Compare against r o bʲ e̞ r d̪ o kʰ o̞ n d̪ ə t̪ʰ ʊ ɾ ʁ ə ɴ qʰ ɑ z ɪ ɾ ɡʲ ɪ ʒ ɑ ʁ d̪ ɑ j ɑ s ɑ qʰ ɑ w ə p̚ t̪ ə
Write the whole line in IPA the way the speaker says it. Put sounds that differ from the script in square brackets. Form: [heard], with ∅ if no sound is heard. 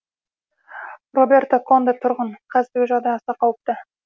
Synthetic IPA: r o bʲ e̞ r [t̪] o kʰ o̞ n d̪ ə t̪ʰ ʊ ɾ ʁ ə ɴ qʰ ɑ z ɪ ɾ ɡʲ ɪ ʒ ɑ ʁ d̪ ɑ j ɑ s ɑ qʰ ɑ w ə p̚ t̪ ə